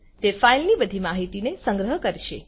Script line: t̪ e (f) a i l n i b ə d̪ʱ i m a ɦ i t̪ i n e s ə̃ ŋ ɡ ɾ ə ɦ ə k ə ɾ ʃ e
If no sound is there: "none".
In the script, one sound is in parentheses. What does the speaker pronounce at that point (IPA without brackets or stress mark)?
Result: f